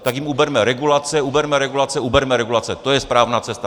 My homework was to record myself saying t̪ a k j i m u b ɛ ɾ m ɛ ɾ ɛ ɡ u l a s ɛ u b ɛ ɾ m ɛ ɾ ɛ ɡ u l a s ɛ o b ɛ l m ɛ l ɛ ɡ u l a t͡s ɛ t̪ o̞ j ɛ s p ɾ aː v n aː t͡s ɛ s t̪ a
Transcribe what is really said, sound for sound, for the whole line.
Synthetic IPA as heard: t̪ a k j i m u b ɛ ɾ m ɛ ɾ ɛ ɡ u l a t͡s ɛ u b ɛ ɾ m ɛ ɾ ɛ ɡ u l a t͡s ɛ u b ɛ ɾ m ɛ ɾ ɛ ɡ u l a t͡s ɛ t̪ o̞ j ɛ s p ɾ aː v n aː t͡s ɛ s t̪ a